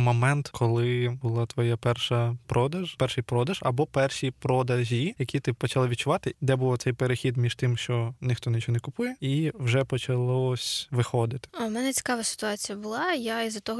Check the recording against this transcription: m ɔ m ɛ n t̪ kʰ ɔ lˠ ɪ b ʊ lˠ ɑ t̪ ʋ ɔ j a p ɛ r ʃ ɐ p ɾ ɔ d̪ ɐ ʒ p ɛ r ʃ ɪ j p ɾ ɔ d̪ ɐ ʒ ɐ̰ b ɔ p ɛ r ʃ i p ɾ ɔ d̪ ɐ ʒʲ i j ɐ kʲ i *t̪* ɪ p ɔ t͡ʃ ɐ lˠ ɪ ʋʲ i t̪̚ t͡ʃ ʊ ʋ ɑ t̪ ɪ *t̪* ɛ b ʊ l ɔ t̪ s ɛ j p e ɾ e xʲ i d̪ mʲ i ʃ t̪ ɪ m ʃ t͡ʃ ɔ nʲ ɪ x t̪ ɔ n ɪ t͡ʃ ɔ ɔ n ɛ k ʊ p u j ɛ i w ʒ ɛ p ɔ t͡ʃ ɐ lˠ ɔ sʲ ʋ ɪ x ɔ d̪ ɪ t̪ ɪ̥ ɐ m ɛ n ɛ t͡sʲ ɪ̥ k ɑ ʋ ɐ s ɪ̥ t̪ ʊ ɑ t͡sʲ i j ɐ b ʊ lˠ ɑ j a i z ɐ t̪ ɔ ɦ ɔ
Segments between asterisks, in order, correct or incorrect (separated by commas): correct, incorrect